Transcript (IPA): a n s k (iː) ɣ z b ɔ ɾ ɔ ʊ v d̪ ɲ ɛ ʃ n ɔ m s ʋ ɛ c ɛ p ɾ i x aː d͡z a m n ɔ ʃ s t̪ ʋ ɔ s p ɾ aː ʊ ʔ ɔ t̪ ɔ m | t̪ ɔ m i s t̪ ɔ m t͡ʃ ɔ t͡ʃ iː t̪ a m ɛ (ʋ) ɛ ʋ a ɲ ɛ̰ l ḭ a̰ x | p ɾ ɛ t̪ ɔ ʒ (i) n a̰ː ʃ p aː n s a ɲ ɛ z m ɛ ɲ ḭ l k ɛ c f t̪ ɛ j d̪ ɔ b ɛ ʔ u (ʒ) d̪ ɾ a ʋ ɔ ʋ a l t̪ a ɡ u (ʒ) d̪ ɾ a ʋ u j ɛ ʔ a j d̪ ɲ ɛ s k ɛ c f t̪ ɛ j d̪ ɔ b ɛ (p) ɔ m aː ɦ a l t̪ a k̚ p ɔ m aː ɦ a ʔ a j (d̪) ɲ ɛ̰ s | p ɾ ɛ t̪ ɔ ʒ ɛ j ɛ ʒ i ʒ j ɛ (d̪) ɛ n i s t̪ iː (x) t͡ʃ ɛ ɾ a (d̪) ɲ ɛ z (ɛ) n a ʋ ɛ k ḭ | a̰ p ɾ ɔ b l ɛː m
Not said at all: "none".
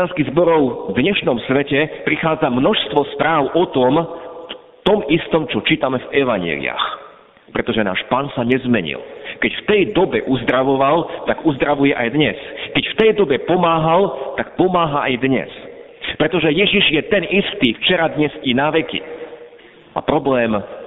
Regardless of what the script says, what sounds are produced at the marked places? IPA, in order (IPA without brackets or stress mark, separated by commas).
i, v, ɛ, z, z, p, d̪, t̪, f, d̪, i